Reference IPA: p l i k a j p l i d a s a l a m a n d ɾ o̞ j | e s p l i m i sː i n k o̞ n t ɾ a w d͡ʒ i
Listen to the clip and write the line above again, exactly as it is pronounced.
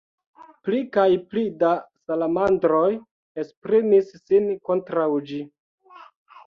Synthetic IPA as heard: p l i k a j p l i d a s a l a m a n d ɾ o̞ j | e s p ɾ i m i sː i n k o̞ n t ɾ a w d͡ʒ i